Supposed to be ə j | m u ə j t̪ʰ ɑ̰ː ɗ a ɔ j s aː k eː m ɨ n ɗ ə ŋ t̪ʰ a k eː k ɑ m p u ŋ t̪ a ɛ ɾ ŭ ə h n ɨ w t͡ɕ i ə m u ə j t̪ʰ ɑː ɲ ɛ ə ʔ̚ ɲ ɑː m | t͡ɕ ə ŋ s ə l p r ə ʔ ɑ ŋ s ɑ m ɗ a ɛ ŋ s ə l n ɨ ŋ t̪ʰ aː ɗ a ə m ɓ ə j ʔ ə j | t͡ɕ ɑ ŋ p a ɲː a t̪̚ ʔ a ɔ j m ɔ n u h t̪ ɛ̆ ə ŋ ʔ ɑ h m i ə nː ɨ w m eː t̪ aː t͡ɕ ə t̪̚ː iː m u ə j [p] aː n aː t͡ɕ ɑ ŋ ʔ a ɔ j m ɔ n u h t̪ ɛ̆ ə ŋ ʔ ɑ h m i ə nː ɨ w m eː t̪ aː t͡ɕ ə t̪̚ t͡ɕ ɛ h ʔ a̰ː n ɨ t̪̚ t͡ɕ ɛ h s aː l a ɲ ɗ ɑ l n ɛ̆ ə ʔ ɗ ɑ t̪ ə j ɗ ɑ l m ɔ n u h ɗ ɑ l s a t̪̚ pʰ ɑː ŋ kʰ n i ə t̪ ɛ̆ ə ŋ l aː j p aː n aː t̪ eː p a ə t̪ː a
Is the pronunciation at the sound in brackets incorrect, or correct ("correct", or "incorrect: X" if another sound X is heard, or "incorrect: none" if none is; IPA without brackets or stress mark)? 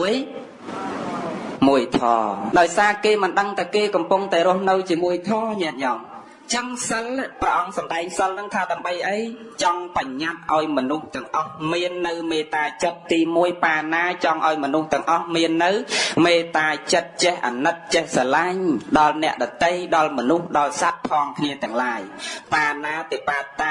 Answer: correct